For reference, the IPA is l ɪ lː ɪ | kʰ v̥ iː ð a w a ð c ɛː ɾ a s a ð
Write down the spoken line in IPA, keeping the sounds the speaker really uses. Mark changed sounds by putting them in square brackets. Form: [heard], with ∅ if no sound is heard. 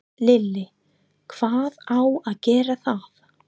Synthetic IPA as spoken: l ɪ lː ɪ | kʰ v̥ [aː] ð a w a ð c ɛː ɾ a [θ] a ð